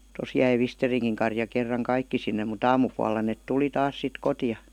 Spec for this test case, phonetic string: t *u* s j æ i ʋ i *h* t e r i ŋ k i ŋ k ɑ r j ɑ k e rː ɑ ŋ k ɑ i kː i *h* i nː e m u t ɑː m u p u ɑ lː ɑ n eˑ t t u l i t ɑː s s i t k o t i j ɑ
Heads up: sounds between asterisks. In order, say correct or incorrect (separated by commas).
incorrect, incorrect, incorrect